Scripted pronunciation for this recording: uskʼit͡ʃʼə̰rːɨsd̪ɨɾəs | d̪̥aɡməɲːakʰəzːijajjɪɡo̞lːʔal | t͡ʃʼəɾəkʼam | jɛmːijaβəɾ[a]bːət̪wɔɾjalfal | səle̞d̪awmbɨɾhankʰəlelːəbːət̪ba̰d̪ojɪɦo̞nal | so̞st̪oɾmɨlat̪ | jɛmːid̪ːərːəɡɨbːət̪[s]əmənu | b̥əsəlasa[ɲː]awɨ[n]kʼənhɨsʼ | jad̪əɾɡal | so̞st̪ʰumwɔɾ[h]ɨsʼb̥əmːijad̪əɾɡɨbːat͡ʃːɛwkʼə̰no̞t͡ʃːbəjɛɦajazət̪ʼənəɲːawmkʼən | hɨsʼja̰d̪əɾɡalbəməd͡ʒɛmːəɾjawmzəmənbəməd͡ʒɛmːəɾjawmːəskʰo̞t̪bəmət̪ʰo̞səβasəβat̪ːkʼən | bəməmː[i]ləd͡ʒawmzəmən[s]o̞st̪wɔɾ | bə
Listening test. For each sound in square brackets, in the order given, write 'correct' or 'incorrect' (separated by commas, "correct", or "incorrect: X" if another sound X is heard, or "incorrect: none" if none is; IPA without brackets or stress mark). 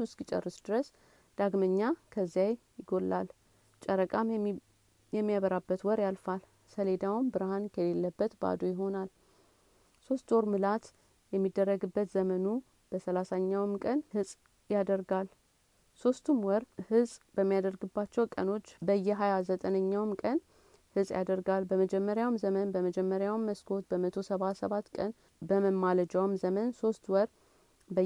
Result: correct, incorrect: z, correct, incorrect: m, correct, incorrect: a, correct